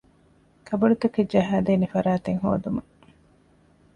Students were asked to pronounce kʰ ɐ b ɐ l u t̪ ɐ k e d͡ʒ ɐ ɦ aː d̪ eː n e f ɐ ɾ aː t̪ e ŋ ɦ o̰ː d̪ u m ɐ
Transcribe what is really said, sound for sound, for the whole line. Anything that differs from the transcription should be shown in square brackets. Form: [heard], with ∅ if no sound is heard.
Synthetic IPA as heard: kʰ ɐ b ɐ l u t̪ ɐ k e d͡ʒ ɐ ɦ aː d̪ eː n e f ɐ ɾ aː t̪ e ŋ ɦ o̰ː d̪ u m ɐ